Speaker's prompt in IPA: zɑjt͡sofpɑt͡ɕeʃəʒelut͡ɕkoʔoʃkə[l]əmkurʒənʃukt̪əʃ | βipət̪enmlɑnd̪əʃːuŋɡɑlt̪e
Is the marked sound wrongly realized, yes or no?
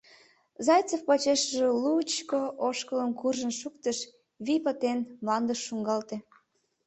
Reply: no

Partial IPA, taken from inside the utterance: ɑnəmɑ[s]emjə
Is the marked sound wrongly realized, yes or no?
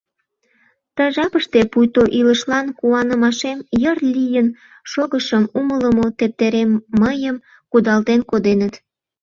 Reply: yes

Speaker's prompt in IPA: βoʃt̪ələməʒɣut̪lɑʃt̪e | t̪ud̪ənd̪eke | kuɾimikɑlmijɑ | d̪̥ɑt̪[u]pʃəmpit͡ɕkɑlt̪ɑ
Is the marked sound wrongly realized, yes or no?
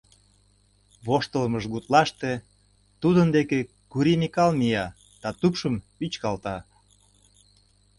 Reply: no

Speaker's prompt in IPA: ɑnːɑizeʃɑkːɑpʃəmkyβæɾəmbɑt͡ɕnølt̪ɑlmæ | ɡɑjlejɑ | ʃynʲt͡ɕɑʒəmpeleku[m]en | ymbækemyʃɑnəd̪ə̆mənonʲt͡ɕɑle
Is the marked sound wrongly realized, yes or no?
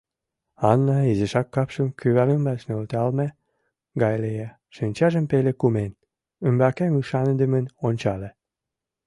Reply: no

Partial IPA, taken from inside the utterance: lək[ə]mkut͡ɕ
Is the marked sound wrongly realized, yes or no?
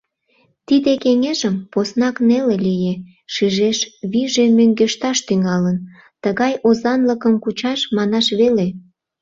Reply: no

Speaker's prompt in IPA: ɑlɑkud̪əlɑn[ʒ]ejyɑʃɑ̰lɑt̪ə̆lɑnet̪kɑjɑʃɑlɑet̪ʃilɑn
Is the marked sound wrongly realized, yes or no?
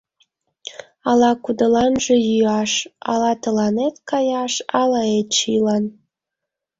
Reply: no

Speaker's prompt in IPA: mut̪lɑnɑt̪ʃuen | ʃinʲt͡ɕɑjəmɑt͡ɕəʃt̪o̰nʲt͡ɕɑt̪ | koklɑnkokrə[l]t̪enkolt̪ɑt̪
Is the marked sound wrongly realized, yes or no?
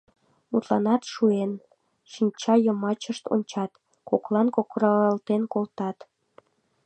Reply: no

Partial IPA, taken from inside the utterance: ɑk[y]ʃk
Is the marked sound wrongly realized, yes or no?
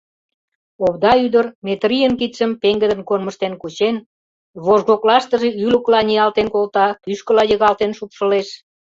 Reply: no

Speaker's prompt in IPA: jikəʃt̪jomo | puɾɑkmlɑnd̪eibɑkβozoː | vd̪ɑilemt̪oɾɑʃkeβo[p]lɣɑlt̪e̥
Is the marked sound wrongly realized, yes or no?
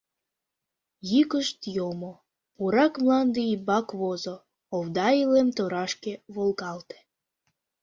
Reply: yes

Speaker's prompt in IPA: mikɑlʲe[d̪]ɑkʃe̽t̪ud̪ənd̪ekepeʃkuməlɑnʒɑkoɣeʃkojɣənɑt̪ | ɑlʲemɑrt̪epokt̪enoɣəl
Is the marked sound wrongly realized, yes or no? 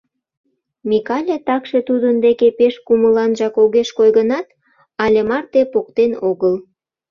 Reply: yes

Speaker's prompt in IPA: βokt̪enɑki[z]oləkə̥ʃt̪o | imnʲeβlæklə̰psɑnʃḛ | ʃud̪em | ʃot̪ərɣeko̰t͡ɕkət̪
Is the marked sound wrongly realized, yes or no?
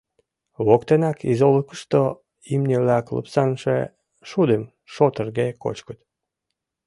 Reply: no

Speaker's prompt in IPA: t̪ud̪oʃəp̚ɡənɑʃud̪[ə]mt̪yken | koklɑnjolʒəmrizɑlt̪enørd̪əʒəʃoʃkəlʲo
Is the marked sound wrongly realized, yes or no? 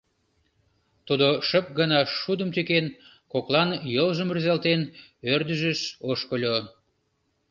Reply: no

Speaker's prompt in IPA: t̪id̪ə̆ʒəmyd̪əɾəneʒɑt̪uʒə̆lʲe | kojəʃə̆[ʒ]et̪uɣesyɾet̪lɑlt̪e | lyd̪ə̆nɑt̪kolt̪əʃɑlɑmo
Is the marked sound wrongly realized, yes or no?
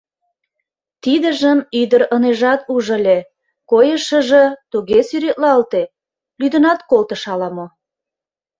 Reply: no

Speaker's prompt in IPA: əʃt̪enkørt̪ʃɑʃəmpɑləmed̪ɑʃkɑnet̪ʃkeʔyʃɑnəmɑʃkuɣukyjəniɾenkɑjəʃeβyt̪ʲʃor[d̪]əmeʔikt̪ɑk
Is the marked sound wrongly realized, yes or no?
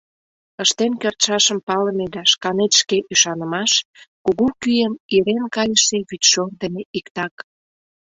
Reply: no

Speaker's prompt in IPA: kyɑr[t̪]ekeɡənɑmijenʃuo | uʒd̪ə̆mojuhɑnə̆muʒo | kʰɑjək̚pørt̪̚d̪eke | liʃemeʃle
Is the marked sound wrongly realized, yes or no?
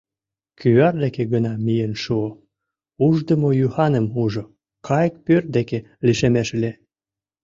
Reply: yes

